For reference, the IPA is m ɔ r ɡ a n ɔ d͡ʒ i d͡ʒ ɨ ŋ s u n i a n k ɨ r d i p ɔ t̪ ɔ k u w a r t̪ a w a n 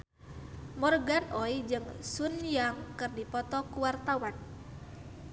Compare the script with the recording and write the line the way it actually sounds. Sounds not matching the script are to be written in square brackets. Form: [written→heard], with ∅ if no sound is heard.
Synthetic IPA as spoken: m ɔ r ɡ a n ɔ [d͡ʒ→∅] i d͡ʒ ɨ ŋ s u n [i→j] a [n→ŋ] k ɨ r d i p ɔ t̪ ɔ k u w a r t̪ a w a n